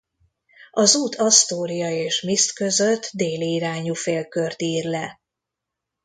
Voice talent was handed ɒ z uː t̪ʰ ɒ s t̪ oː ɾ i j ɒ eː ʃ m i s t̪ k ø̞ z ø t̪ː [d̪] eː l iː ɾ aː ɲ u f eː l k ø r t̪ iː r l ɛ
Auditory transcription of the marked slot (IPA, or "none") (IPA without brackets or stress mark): d̪